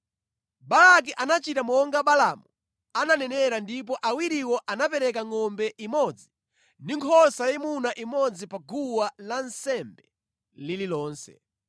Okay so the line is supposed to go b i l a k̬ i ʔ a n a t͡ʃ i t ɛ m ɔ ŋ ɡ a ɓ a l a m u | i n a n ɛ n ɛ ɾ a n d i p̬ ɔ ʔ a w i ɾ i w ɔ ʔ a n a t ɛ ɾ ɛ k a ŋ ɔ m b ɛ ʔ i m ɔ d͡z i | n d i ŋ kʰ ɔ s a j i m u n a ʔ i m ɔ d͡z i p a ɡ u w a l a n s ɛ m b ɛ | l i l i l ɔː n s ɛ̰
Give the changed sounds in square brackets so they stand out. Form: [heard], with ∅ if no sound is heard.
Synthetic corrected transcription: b [a] l a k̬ i ʔ a n a t͡ʃ i t [a] m ɔ ŋ ɡ a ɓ a l a m u | [a] n a n ɛ n ɛ ɾ a n d i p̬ ɔ ʔ a w i ɾ i w ɔ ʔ a n a [p] ɛ ɾ ɛ k a ŋ ɔ m b ɛ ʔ i m ɔ d͡z i | n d i ŋ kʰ ɔ s a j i m u n a ʔ i m ɔ d͡z i p a ɡ u w a l a n s ɛ m b ɛ | l i l i l ɔː n s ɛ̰